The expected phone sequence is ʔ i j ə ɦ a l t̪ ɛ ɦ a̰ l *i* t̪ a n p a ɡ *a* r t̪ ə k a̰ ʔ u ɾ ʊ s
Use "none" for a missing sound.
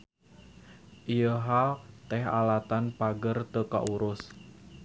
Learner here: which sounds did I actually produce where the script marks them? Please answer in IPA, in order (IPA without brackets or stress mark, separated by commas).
a, ə